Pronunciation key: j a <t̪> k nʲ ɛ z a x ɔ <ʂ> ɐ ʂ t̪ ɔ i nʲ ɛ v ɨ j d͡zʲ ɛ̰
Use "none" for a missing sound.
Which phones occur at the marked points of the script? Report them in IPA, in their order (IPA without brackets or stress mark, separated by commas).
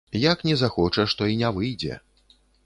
none, t͡ʂ